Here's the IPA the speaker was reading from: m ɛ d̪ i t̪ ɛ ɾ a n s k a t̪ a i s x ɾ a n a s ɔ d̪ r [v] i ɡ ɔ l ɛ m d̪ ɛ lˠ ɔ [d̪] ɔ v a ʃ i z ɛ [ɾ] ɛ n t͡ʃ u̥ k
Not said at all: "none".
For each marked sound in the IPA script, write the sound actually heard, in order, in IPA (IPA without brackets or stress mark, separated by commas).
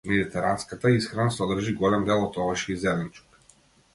ʒ, t̪, l